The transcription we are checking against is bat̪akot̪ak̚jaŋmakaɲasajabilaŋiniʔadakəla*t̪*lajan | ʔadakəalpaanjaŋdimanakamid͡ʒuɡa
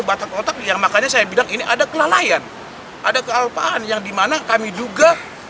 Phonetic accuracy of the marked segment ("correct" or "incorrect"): incorrect